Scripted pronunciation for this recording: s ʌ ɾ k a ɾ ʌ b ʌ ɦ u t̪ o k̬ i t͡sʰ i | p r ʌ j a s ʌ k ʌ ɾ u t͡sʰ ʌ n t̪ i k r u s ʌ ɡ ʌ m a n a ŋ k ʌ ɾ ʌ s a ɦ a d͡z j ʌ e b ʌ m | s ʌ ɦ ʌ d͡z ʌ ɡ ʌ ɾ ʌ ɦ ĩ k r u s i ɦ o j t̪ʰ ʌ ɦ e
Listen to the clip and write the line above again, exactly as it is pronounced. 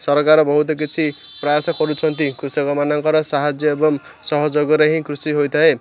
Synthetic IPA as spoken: s ʌ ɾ k a ɾ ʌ b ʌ ɦ u t̪ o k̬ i t͡sʰ i | p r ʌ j a s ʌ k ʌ ɾ u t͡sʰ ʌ n t̪ i k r u s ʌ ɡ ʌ m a n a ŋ k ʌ ɾ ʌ s a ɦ a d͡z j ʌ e b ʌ m | s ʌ ɦ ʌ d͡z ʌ ɡ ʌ ɾ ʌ ɦ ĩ k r u s i ɦ o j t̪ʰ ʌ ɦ e